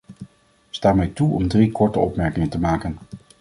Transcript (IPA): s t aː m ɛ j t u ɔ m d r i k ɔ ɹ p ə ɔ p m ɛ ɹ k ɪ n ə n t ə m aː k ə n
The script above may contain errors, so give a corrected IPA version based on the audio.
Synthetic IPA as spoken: s t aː m ɛ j t u ɔ m d r i k ɔ ɹ t ə ɔ p m ɛ ɹ k ɪ ŋ ə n t ə m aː k ə n